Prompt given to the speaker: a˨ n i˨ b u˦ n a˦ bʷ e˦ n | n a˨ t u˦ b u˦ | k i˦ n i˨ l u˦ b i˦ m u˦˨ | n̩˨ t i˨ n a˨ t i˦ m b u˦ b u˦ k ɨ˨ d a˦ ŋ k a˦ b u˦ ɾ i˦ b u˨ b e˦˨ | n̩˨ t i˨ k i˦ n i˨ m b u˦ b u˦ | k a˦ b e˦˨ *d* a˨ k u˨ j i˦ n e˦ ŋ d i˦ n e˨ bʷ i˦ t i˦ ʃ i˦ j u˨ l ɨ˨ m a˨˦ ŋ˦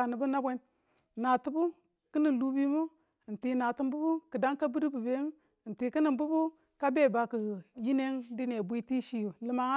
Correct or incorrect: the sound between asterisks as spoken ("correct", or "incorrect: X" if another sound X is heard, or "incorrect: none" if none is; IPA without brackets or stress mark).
incorrect: b